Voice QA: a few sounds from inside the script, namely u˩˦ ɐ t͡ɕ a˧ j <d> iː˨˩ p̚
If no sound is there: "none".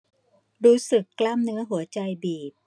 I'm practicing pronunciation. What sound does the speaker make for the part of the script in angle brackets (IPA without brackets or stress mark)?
b